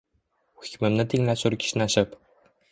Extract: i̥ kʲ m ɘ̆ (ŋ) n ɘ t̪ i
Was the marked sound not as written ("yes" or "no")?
yes